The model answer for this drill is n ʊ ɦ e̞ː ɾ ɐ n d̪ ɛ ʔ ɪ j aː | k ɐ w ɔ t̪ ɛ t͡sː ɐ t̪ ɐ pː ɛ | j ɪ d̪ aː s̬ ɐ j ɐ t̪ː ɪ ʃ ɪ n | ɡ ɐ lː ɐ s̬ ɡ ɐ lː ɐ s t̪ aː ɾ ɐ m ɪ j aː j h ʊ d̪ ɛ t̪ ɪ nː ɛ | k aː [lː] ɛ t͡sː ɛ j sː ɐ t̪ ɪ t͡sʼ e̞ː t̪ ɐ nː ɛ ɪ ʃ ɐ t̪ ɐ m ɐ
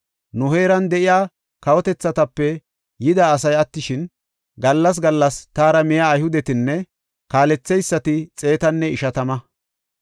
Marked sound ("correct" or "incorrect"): incorrect